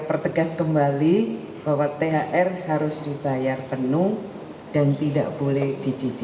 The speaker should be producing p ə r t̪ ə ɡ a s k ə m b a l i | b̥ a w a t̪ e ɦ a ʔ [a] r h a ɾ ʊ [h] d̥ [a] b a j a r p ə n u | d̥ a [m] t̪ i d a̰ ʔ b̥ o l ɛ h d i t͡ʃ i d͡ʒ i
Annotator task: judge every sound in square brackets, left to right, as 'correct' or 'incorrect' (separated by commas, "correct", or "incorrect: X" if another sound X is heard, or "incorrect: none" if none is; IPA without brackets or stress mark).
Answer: incorrect: ɛ, incorrect: s, incorrect: i, incorrect: n